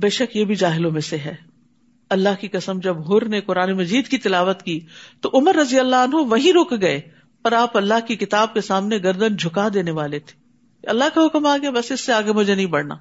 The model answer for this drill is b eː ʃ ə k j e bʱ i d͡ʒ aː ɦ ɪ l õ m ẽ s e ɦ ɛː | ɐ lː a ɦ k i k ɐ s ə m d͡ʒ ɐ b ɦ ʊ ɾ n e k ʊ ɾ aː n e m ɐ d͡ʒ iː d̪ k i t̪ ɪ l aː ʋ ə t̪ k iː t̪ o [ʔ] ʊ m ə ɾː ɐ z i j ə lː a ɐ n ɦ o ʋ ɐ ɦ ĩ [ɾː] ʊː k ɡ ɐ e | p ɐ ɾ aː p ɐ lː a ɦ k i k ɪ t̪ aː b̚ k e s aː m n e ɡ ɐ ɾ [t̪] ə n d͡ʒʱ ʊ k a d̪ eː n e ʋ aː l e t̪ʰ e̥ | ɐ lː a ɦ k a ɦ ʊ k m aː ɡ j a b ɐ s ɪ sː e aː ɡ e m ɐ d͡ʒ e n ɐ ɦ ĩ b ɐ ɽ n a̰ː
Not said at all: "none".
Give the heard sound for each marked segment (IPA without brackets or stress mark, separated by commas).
ʔ, ɾ, d̪